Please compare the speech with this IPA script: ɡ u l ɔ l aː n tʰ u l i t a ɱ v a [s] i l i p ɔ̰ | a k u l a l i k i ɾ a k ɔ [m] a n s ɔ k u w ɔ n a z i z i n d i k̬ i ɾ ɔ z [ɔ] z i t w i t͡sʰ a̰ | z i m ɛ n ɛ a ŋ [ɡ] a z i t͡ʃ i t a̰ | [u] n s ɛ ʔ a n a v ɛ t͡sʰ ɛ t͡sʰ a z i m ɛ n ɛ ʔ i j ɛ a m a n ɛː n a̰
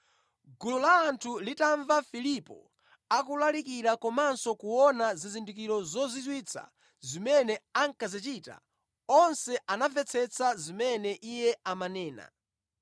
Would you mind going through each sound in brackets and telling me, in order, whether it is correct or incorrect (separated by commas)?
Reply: incorrect, correct, correct, incorrect, incorrect